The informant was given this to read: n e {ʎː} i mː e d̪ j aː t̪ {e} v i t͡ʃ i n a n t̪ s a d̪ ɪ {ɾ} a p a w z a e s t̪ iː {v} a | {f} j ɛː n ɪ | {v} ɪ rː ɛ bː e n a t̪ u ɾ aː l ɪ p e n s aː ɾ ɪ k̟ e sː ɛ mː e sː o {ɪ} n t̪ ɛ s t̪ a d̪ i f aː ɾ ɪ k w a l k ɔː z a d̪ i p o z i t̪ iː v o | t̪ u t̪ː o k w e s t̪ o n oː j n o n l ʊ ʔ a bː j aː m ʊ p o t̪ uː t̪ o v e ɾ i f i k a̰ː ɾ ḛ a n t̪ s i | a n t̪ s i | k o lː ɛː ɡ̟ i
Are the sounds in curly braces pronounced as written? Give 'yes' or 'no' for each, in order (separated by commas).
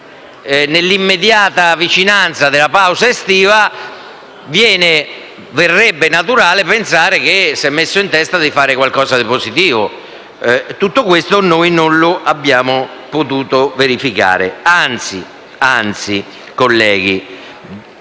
no, no, no, yes, no, yes, no